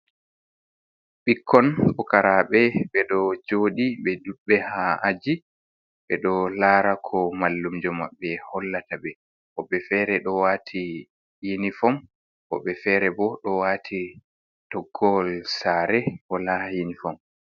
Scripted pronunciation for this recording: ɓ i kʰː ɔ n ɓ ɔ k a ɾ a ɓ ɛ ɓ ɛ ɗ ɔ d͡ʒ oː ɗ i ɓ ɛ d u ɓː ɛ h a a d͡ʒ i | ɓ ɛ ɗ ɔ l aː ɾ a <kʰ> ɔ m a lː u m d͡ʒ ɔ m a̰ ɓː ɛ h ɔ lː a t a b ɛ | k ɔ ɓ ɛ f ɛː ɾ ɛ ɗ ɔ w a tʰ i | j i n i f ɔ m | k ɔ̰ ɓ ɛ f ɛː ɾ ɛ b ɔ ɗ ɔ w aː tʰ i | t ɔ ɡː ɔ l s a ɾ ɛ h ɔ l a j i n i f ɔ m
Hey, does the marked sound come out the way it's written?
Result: yes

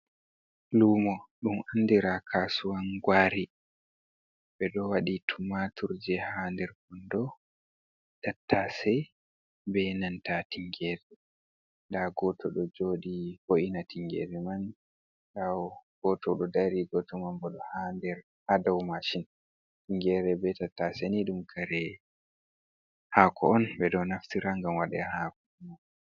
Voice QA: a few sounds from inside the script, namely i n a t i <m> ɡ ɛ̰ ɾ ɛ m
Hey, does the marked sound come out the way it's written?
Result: no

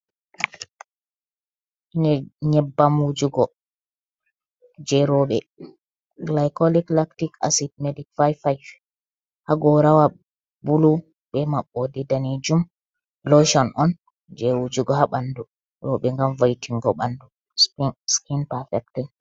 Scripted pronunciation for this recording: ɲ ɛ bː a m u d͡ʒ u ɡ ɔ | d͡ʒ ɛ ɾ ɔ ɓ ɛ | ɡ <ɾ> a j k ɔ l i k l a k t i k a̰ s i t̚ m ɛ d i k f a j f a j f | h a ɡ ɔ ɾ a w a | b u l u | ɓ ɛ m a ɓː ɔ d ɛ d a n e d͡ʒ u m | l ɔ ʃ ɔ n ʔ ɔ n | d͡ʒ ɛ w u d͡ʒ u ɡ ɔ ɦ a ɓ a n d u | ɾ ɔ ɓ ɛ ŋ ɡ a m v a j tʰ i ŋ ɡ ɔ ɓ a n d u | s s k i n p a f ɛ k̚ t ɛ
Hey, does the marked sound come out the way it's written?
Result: no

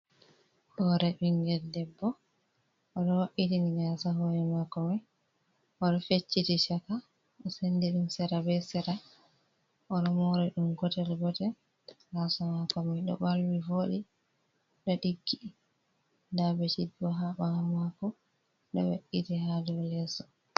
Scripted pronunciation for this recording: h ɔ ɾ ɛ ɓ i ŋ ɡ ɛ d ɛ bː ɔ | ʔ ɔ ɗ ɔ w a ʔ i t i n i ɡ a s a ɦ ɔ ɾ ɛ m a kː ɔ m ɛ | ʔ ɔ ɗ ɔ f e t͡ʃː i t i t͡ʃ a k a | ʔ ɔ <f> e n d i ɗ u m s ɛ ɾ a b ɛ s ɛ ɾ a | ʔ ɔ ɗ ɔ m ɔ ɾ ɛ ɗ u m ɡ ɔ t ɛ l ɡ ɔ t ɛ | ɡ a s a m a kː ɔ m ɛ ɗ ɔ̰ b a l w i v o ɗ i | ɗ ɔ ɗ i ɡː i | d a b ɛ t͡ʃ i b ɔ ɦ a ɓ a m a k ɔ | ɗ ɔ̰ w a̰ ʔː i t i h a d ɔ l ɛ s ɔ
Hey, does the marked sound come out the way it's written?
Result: no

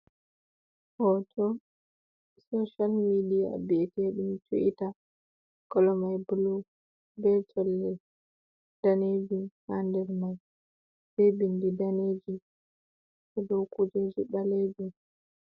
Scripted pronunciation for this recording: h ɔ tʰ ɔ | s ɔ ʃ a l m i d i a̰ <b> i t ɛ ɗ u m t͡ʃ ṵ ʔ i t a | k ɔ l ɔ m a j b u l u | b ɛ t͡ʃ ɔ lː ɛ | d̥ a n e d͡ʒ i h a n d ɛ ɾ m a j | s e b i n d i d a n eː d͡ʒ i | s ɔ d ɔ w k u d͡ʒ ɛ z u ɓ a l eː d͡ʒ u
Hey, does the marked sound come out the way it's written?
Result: yes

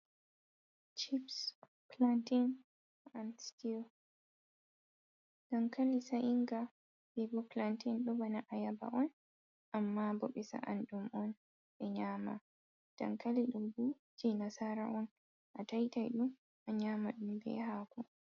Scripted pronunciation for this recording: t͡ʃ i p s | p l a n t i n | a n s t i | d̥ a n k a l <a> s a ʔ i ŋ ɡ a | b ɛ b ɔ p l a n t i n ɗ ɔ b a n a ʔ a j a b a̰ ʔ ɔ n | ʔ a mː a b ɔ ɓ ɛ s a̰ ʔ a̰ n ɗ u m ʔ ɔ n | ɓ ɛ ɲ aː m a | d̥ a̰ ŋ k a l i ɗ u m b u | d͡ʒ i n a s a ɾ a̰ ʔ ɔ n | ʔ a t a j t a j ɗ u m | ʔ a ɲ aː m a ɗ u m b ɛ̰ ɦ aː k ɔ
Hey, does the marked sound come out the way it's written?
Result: no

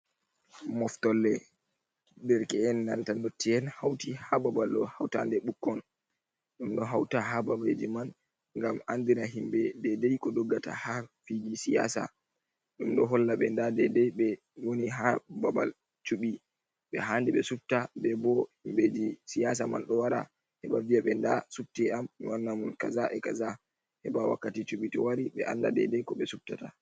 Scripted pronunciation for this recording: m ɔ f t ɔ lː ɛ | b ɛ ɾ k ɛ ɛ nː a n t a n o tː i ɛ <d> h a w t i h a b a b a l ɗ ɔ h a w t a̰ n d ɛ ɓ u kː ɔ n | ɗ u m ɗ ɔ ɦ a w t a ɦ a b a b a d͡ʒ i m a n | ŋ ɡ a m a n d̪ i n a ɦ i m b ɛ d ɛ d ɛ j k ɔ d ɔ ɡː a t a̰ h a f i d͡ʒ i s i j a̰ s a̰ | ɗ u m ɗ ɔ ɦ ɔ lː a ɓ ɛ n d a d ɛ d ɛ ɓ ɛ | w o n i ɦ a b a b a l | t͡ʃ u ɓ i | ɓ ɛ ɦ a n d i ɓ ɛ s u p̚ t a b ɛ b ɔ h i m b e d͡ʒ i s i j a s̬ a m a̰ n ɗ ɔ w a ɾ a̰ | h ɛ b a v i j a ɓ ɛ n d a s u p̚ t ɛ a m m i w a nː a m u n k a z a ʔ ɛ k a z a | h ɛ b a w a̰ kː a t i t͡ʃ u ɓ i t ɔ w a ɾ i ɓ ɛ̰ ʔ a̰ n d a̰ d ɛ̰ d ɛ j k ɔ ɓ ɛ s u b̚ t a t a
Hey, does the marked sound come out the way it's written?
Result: no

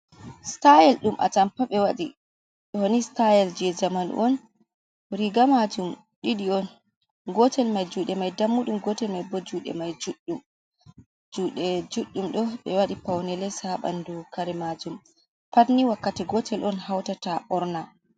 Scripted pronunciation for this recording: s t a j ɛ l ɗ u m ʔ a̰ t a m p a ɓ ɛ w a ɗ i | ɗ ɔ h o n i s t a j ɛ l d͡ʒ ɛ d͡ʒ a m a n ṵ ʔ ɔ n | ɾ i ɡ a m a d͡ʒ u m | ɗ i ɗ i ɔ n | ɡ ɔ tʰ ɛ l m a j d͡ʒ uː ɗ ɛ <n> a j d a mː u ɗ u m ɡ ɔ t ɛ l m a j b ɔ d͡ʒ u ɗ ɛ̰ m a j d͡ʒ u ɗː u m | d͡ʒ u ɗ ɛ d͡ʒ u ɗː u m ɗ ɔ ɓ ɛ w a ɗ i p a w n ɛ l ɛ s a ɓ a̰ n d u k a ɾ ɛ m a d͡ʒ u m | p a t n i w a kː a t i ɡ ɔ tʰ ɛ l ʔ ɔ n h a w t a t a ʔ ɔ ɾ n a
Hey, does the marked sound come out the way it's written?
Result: no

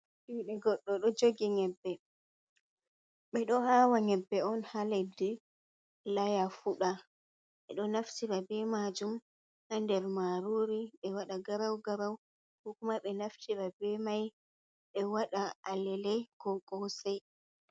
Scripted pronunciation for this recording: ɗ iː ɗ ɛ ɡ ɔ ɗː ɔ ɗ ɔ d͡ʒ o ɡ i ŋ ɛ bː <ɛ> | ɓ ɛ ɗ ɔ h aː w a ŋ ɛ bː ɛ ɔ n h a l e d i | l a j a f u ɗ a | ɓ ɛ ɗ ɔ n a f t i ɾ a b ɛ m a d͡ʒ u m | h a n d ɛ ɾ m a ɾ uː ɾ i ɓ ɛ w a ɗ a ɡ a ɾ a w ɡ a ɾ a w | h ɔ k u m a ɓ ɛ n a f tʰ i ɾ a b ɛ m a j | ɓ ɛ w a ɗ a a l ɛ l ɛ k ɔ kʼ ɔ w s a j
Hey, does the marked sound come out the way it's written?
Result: yes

